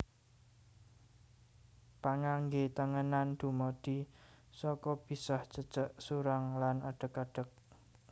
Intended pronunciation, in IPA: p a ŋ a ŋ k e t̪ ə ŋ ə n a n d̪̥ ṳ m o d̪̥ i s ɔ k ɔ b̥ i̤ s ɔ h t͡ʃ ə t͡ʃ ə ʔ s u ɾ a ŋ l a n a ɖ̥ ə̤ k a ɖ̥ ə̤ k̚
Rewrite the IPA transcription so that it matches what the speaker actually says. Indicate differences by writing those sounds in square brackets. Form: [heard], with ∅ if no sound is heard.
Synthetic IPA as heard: p a ŋ a ŋ [ɡ] e t̪ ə ŋ ə n a n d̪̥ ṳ m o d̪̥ i s ɔ k ɔ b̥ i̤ s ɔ h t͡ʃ ə t͡ʃ ə ʔ s u ɾ a ŋ l a n a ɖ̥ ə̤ k a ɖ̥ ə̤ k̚